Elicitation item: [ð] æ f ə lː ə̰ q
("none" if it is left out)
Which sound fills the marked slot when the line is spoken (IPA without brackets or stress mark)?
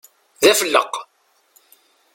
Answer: ð